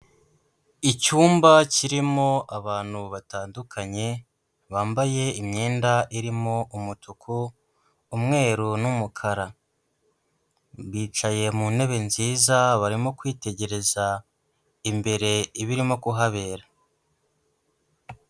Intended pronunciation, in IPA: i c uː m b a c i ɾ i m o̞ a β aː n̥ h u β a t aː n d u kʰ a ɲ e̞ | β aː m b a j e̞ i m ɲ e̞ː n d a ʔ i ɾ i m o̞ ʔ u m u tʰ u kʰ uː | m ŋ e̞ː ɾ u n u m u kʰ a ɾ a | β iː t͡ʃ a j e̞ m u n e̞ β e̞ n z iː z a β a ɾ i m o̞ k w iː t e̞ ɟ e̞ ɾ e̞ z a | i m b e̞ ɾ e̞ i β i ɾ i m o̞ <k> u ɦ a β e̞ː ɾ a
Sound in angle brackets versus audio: correct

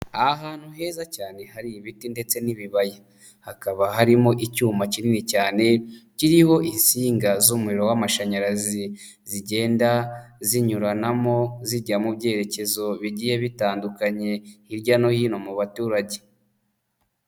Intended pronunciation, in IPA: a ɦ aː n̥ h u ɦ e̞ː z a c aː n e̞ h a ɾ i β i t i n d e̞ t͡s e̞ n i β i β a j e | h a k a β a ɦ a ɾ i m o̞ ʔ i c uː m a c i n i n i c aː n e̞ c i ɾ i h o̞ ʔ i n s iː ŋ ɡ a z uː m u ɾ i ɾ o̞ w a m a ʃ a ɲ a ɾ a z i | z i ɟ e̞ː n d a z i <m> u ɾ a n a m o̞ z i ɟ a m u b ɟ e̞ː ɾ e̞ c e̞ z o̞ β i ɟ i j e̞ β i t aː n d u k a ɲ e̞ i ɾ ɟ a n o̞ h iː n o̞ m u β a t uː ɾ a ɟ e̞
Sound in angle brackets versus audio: incorrect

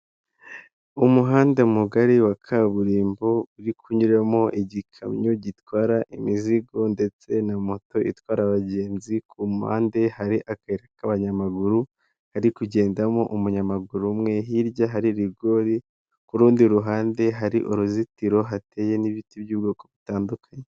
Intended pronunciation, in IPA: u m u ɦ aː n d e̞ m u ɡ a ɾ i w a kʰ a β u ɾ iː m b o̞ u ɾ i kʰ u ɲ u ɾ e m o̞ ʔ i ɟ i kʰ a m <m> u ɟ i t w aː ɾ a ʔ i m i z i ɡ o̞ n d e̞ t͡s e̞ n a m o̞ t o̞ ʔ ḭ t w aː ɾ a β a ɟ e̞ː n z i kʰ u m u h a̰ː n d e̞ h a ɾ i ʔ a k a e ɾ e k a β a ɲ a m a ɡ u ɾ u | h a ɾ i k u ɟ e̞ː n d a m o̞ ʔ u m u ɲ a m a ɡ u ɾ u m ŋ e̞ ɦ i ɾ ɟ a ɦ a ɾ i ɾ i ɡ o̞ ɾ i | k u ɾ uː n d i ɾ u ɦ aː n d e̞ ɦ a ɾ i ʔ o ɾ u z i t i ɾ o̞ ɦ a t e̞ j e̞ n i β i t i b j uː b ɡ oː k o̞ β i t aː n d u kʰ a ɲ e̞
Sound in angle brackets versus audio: incorrect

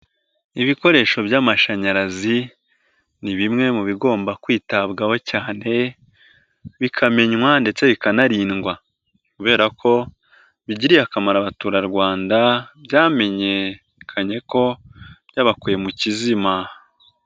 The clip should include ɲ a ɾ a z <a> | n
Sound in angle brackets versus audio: incorrect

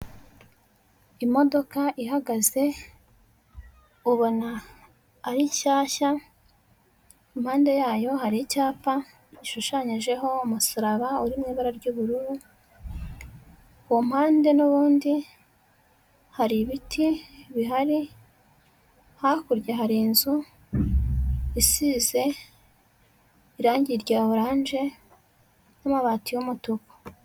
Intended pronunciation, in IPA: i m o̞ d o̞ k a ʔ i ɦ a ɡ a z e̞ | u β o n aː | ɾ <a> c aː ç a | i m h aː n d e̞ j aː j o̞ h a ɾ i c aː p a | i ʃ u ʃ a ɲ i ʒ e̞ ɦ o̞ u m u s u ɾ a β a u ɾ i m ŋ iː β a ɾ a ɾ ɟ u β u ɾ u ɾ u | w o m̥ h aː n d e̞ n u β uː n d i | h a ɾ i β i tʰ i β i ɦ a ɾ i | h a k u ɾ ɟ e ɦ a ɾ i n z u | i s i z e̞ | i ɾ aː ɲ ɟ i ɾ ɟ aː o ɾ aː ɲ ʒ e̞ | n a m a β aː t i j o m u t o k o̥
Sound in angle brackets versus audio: incorrect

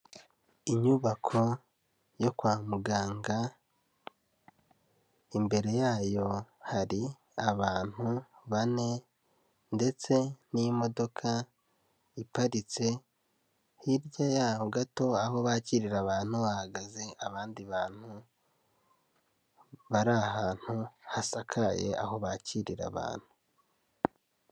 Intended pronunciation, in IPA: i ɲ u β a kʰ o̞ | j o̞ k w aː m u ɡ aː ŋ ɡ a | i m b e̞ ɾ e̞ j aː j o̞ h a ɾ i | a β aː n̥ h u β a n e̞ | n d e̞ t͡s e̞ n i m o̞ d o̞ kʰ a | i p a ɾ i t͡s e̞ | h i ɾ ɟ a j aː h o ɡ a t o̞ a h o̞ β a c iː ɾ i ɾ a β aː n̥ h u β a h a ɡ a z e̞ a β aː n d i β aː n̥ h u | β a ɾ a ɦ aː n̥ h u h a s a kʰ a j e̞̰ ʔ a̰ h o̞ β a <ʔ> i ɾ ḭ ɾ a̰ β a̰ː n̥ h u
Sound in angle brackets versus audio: incorrect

